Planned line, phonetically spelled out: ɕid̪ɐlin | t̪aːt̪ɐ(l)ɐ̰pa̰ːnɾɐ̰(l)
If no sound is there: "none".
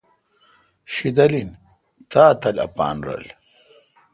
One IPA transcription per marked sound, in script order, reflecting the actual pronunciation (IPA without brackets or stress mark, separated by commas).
l, l